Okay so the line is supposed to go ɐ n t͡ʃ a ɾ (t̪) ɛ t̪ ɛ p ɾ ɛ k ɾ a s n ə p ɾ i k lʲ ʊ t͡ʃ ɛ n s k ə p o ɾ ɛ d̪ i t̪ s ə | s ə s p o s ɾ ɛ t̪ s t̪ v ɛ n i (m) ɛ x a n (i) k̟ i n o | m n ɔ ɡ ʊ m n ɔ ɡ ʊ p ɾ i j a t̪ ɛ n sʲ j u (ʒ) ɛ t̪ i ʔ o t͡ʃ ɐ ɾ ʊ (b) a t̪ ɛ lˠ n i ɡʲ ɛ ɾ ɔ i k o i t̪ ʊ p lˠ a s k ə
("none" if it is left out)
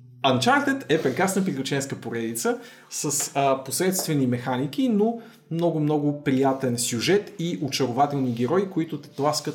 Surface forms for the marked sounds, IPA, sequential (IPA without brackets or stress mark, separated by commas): t̪, m, i, ʒ, v